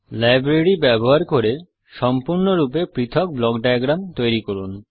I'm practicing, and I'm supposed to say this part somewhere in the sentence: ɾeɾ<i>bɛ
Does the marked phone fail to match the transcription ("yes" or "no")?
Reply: no